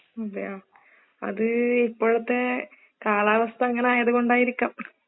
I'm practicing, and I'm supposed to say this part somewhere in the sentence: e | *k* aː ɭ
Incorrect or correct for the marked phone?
correct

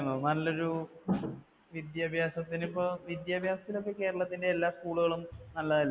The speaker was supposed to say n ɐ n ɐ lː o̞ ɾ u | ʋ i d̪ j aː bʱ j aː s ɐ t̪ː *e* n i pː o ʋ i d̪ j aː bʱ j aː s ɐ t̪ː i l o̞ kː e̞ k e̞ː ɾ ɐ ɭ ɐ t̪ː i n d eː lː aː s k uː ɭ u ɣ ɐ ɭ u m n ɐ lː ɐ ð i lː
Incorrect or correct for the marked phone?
incorrect: i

